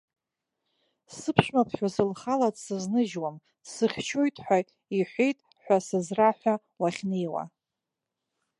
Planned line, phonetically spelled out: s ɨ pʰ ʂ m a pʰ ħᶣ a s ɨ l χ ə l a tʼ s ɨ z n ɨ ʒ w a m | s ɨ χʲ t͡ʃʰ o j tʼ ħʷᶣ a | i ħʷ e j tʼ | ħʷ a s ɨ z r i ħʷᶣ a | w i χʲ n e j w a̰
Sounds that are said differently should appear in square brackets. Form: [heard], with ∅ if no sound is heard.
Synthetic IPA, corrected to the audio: s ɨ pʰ ʂ m a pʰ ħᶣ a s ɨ l χ [a] l a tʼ s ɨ z n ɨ ʒ w a m | s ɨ χʲ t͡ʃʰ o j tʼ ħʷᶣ a | i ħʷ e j tʼ | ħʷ a s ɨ z r [a] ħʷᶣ a | w [a] χʲ n e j w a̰

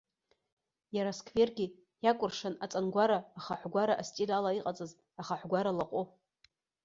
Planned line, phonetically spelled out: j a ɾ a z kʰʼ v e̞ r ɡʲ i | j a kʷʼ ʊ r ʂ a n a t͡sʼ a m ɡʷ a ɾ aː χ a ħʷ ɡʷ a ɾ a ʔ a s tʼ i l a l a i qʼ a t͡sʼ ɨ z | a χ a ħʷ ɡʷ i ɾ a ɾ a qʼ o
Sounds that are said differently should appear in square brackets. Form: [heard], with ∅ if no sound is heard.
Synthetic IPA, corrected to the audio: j a ɾ a [s] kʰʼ v e̞ r ɡʲ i | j a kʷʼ ʊ r ʂ a n a t͡sʼ a [n] ɡʷ a ɾ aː χ a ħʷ ɡʷ a ɾ a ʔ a s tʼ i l a l a i qʼ a t͡sʼ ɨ z | a χ a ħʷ ɡʷ [a] ɾ a [l] a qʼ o

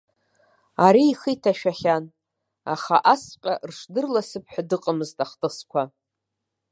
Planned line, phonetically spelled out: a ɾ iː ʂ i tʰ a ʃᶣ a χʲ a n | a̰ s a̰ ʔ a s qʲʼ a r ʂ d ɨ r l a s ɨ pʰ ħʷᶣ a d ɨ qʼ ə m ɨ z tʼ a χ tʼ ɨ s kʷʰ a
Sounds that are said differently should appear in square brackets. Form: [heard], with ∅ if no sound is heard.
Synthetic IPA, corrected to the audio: a ɾ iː [χ] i tʰ a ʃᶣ a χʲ a n | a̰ [χ] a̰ ʔ a s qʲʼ a r ʂ d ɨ r l a s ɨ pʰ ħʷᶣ a d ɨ qʼ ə m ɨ z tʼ a χ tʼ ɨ s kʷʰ a

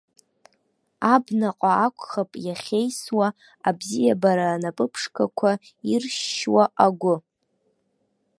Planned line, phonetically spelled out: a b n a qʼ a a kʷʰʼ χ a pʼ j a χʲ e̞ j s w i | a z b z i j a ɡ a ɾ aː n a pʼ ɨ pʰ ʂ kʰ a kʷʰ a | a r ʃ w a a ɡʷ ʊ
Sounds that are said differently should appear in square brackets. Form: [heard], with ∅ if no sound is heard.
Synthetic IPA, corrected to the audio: a b n a qʼ a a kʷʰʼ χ a pʼ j a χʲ e̞ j s w [a] | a [∅] b z i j a [b] a ɾ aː n a pʼ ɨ pʰ ʂ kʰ a kʷʰ a | [i] r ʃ w a a ɡʷ ʊ

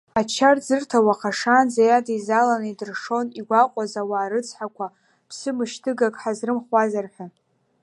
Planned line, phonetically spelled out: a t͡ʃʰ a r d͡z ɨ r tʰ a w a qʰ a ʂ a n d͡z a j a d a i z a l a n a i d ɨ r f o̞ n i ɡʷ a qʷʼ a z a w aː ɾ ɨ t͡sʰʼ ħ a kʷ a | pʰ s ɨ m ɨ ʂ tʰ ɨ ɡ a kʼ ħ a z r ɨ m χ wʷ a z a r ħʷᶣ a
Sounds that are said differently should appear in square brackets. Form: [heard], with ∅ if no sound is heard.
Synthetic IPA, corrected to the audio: a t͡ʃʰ a r d͡z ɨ r tʰ a w a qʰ a ʂ a n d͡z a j a d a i z a l a n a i d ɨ r [ʂ] o̞ n i ɡʷ a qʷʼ a z a w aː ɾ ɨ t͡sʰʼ ħ a kʷ a | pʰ s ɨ m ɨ [ʃ] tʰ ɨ ɡ a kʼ ħ a z r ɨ m χ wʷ a z a r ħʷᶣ a

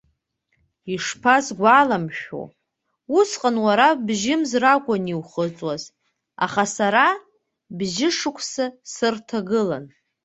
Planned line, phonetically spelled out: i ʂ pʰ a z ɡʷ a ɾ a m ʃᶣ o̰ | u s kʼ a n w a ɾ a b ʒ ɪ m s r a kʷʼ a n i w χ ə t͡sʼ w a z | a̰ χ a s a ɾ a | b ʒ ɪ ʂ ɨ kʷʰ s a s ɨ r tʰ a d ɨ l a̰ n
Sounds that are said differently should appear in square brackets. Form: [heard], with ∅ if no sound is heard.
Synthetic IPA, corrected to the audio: i ʂ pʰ a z ɡʷ a [l] a m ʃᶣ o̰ | u s [qʼ] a n w a ɾ a b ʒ ɪ m [z] r a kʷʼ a n i w χ ə t͡sʼ w a z | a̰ χ a s a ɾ a | b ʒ ɪ ʂ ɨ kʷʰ s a s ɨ r tʰ a [ɡ] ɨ l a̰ n

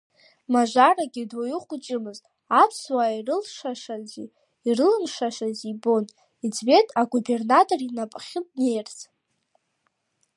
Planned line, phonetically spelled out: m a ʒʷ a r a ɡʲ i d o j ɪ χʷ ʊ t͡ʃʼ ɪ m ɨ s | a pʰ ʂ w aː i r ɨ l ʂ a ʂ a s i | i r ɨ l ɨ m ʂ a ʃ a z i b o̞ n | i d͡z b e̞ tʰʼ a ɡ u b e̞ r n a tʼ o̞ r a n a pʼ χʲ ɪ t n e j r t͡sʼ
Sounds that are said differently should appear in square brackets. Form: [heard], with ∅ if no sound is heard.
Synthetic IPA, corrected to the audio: m a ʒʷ a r a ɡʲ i d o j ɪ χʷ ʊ t͡ʃʼ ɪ m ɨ [z] | a pʰ [s] w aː i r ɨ l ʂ a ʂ a [z] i | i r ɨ l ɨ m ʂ a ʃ a z i b o̞ n | i d͡z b e̞ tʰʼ a ɡ u b e̞ r n a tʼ o̞ r [i] n a pʼ χʲ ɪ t n e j r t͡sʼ

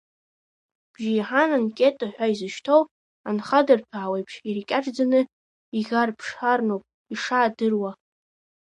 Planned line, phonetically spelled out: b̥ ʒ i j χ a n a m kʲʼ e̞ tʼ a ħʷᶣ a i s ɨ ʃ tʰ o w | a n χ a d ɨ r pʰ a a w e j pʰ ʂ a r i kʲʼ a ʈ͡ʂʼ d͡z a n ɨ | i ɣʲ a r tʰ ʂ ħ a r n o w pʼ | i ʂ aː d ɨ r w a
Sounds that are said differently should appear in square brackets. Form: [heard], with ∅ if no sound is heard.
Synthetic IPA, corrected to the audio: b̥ ʒ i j [ħ] a n a [n] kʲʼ e̞ tʼ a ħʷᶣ a i [z] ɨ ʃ tʰ o w | a n χ a d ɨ r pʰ a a w e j pʰ ʂ [i] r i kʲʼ a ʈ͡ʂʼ d͡z a n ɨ | i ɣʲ a r [pʰ] ʂ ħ a r n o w pʼ | i ʂ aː d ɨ r w a

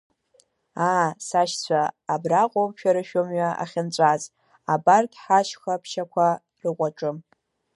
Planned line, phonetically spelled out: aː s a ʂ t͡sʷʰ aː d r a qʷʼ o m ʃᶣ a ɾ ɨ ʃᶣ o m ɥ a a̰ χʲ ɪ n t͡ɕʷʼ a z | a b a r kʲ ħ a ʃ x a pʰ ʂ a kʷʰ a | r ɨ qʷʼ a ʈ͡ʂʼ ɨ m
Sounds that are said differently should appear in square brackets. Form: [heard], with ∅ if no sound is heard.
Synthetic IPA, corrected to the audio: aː s a [ʃ] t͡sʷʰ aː [b] r a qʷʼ o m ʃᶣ a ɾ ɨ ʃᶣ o m ɥ a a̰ χʲ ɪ n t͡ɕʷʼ a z | a b a r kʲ ħ a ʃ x a pʰ [ʃ] a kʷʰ a | r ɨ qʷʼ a ʈ͡ʂʼ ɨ m

